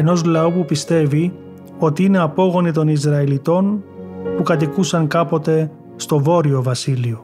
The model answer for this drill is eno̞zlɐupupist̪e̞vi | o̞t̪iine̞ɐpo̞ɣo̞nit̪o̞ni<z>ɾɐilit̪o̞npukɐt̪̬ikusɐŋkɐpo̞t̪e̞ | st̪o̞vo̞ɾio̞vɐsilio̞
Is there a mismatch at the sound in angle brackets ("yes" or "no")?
no